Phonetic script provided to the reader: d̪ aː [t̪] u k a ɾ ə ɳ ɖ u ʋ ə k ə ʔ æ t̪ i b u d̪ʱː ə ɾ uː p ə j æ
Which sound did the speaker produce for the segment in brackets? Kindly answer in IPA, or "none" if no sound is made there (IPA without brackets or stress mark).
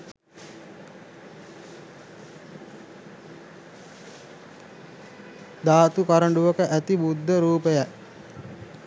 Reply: t̪